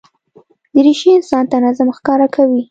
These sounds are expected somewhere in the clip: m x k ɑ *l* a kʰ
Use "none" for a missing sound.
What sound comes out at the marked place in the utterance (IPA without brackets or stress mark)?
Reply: ɾ